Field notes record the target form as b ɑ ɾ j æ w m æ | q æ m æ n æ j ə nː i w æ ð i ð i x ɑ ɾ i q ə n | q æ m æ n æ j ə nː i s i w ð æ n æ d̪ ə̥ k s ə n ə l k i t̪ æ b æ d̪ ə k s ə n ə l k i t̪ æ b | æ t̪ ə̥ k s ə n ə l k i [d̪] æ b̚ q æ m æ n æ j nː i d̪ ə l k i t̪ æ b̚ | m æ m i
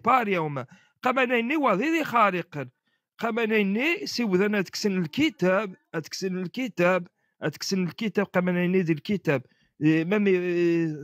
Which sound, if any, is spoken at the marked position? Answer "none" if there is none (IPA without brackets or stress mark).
t̪